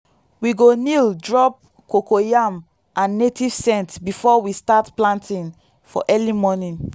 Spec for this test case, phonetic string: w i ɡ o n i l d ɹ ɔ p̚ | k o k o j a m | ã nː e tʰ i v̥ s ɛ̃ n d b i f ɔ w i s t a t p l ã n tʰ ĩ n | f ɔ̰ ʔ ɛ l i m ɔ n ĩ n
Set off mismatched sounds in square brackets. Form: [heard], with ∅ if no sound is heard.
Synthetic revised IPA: w i ɡ o n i l d ɹ ɔ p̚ | k o k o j a m | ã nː e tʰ i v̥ s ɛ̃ n [t] b i f ɔ w i s t a t p l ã n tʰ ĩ n | f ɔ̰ ʔ ɛ l i m ɔ n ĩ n